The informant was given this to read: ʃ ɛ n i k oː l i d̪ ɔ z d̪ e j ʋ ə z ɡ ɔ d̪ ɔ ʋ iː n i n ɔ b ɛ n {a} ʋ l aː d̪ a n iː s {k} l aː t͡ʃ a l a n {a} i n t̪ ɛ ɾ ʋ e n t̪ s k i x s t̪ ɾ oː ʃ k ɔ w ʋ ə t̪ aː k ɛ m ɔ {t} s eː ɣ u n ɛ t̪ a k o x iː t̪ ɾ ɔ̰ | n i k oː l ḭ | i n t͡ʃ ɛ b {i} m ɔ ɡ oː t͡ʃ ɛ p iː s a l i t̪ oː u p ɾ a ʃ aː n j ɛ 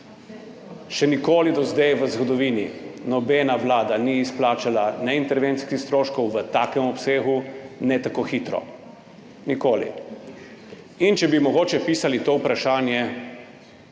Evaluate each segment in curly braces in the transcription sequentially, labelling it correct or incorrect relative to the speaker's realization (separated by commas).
correct, incorrect, incorrect, incorrect, correct